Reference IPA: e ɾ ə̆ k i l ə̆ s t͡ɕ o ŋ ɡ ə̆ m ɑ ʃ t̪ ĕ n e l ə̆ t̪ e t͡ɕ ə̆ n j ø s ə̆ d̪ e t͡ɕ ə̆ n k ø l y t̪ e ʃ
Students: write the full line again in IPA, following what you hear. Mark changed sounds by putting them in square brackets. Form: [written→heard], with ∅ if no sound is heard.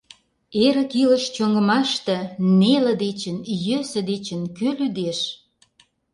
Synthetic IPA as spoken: e ɾ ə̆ k i l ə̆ [s→ʃ] t͡ɕ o ŋ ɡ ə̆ m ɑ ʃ t̪ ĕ n e l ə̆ [t̪→d̪] e t͡ɕ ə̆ n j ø s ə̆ d̪ e t͡ɕ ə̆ n k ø l y [t̪→d̪] e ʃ